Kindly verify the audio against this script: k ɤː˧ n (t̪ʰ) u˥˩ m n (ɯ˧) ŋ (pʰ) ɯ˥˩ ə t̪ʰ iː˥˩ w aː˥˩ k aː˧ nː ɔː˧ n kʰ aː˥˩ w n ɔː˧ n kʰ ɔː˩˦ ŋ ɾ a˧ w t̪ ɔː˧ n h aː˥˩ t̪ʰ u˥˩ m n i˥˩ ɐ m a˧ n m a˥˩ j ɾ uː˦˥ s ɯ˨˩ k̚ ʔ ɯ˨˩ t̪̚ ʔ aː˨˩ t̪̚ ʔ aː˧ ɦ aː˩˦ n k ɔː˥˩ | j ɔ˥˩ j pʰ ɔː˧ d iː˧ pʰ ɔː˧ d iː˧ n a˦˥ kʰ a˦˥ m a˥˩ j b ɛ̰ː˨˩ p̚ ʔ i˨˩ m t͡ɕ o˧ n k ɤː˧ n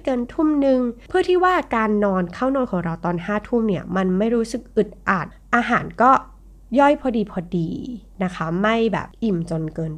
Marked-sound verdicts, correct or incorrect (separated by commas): correct, correct, correct